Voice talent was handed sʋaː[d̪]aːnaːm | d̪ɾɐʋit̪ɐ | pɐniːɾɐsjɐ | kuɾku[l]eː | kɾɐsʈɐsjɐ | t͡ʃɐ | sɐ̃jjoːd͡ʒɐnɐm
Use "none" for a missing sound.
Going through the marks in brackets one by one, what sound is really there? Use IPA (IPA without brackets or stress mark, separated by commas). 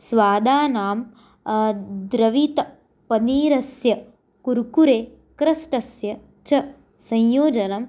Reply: d̪, ɾ